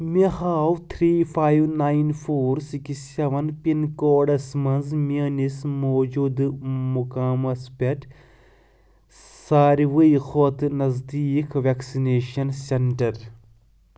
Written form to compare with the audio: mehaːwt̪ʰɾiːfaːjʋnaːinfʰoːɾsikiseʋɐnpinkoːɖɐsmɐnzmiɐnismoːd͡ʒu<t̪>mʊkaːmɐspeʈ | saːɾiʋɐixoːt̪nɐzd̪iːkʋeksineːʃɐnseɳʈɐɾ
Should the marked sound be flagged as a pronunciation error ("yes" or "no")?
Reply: yes